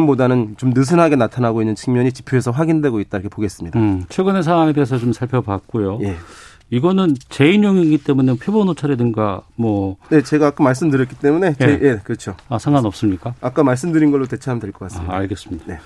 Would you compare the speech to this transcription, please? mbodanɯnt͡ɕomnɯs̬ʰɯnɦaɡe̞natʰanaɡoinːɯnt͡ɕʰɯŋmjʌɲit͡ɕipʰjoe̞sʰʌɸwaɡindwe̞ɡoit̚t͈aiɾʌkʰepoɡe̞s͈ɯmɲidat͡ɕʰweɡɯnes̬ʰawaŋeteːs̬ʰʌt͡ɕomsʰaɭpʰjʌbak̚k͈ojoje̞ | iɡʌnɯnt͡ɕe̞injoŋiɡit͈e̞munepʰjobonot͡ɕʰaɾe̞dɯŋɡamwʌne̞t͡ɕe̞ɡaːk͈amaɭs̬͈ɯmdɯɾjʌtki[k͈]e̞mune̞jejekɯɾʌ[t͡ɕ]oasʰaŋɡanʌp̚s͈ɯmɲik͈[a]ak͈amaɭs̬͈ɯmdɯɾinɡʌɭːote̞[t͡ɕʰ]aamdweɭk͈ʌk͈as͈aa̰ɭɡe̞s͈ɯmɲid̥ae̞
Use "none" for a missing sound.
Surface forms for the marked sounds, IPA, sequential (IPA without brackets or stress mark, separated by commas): t͈, t͡ɕʰ, a, t͡ɕʰ